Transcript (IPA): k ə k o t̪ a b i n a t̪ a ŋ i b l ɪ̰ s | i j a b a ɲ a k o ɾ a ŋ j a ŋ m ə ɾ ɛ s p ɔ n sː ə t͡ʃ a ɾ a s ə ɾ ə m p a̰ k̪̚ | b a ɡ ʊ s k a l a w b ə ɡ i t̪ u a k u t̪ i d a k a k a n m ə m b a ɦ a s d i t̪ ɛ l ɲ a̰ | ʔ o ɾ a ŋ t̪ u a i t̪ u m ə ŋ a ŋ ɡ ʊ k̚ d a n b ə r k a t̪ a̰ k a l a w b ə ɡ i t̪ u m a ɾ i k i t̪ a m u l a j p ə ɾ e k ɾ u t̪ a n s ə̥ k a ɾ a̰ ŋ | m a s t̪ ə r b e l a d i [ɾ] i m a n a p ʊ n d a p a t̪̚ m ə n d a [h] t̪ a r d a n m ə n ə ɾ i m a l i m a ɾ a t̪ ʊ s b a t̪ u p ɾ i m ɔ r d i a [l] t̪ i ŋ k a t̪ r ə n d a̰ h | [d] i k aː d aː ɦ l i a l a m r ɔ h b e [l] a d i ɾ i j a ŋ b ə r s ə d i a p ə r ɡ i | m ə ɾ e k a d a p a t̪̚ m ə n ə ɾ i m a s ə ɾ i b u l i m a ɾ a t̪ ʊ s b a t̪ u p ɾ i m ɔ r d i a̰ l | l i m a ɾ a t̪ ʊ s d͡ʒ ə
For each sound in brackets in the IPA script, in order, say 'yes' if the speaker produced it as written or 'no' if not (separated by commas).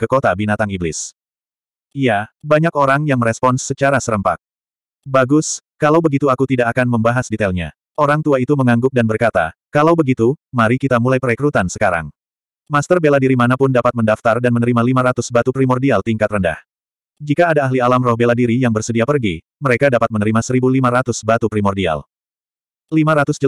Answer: yes, no, yes, no, yes